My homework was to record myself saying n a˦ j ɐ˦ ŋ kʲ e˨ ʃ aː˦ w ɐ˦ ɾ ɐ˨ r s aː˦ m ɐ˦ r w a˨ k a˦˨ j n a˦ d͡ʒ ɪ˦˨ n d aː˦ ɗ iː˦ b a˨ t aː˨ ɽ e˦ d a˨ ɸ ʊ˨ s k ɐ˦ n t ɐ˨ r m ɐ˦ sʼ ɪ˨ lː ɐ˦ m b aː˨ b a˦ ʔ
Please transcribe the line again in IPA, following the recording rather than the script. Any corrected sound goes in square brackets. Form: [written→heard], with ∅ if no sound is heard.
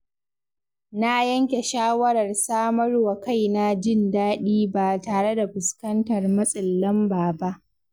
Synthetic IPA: n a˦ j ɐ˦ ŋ kʲ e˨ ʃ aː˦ w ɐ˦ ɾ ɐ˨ r s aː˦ m ɐ˦ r w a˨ k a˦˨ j n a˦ d͡ʒ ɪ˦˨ n d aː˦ ɗ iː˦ b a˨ t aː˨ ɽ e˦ d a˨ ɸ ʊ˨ s k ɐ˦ n t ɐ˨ r m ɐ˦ sʼ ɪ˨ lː ɐ˦ m b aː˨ b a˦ ʔ